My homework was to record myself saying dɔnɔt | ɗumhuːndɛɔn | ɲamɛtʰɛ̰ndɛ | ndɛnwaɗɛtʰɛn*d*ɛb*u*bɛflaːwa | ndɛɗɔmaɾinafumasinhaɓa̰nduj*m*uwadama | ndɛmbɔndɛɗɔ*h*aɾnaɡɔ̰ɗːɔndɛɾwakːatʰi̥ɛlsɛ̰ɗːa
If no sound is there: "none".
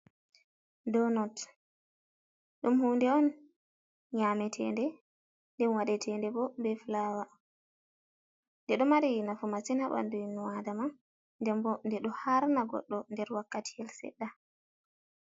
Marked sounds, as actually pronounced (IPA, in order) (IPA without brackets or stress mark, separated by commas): d, ɔ, n, h